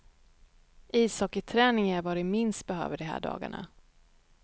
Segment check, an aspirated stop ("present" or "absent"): present